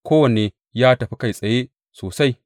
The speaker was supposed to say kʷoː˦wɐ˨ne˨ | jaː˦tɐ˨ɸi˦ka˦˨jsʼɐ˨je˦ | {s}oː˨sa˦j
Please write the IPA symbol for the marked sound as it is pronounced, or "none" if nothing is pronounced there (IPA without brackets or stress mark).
s